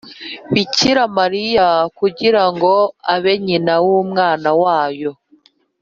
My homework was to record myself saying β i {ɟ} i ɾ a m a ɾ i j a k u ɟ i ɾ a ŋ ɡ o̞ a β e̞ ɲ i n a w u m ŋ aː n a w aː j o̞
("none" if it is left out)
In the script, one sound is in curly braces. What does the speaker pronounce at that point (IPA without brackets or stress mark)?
c